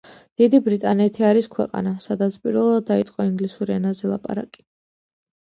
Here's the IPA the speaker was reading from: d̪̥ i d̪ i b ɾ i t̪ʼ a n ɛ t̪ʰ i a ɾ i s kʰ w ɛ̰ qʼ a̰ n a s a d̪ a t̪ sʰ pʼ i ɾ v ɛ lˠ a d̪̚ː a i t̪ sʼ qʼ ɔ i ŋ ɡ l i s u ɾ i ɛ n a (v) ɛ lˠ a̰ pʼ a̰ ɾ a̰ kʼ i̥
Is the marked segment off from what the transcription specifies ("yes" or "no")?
yes